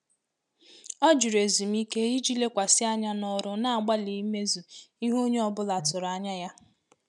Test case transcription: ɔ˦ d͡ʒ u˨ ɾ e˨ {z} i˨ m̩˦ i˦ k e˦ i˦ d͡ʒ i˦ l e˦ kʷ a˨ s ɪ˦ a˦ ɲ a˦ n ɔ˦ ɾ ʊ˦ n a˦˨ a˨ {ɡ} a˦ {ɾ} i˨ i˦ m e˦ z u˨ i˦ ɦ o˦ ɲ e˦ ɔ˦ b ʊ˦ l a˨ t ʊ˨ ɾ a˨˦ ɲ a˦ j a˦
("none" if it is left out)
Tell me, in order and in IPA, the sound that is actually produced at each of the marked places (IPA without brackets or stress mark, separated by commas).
z, ɡ͡b, l